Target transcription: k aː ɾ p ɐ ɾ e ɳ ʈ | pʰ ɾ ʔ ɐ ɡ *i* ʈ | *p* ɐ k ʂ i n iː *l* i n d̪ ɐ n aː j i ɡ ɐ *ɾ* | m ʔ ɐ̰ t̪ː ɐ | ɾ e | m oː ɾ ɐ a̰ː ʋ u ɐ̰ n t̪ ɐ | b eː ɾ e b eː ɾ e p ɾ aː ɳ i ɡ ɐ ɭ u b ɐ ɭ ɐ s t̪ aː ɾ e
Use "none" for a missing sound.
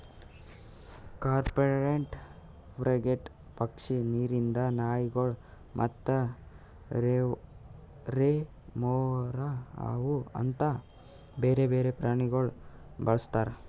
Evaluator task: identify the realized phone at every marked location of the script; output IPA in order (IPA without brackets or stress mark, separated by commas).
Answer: e, p, ɾ, ɭ